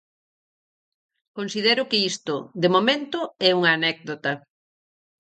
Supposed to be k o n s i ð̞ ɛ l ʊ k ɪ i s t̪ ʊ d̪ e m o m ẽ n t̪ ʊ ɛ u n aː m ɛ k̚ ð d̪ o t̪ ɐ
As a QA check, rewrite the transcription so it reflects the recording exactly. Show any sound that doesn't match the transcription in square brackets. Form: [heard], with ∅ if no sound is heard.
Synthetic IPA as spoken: k o n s i ð̞ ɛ [ɾ] ʊ k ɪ i s t̪ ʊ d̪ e m o m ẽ n t̪ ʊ ɛ u [ŋ] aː [n] ɛ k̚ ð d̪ o t̪ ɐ